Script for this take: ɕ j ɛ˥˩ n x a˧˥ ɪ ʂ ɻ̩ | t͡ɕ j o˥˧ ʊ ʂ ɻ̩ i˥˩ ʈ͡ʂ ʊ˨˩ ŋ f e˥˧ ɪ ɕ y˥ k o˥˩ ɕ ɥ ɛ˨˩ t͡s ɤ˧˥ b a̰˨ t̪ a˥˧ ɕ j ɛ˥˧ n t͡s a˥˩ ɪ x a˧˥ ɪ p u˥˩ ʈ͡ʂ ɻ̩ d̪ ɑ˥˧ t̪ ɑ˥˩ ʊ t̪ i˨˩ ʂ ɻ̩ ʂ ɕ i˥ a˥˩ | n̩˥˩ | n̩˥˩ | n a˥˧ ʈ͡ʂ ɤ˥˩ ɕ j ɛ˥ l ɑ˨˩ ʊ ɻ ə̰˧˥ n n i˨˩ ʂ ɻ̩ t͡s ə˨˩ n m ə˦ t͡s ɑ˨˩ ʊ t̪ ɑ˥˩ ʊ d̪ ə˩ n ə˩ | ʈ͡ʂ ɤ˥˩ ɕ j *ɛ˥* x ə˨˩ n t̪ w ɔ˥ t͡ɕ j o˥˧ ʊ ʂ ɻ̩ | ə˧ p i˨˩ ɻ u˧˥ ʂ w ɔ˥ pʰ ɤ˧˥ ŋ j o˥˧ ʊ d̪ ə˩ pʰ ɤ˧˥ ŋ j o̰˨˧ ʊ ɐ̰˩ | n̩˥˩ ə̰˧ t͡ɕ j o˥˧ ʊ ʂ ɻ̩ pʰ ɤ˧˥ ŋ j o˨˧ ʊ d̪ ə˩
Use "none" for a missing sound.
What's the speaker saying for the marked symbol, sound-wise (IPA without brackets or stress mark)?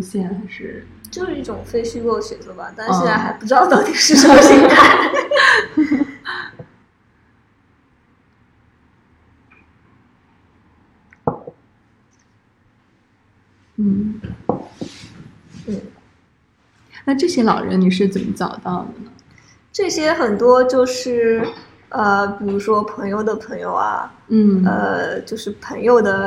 ɛ˥